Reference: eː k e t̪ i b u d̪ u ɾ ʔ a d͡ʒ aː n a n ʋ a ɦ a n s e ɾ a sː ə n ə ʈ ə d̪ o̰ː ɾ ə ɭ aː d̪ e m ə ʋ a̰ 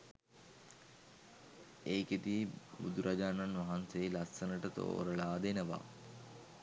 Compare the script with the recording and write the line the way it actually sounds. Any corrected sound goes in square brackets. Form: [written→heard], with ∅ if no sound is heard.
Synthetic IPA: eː k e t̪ i b u d̪ u ɾ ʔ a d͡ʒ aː n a n ʋ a ɦ a n s e [ɾ→l] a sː ə n ə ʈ ə [d̪→t̪] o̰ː ɾ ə ɭ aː d̪ e [m→n] ə ʋ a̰